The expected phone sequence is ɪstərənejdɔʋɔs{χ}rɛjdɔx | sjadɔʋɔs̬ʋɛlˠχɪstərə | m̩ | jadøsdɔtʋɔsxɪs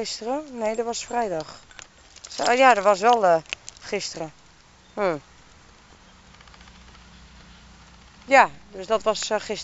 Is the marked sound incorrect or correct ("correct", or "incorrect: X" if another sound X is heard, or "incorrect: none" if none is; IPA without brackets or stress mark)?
incorrect: f